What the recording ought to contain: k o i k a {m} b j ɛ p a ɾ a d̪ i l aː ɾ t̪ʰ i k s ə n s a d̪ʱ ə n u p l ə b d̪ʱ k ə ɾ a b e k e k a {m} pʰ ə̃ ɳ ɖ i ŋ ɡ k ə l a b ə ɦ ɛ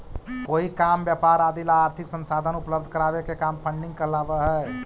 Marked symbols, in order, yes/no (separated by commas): yes, yes